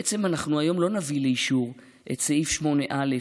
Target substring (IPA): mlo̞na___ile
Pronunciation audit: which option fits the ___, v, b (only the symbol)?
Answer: v